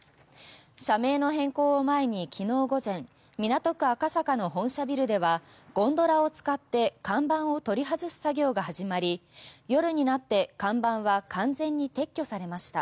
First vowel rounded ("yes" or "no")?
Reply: no